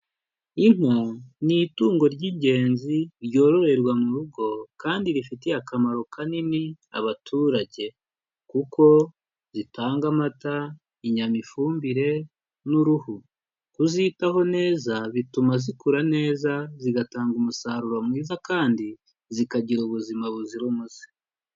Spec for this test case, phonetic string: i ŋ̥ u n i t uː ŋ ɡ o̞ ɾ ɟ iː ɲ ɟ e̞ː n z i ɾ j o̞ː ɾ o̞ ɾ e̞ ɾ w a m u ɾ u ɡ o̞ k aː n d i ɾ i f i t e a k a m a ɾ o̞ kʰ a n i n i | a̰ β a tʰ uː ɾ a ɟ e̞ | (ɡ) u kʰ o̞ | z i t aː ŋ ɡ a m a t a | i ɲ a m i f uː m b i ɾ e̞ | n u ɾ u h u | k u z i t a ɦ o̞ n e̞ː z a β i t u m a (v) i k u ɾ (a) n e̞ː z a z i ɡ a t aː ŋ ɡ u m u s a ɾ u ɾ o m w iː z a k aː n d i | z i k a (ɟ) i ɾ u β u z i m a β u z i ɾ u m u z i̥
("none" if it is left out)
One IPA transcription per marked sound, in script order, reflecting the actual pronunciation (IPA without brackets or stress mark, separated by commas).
k, z, a, ɟ